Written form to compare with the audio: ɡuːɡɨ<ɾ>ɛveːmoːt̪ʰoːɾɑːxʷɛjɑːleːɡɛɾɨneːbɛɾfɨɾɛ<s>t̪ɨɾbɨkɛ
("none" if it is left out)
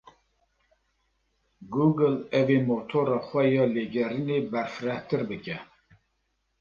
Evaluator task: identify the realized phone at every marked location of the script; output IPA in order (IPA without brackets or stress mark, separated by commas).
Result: l, h